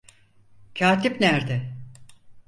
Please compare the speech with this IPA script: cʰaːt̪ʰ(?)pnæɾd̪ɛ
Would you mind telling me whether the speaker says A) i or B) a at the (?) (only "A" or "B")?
A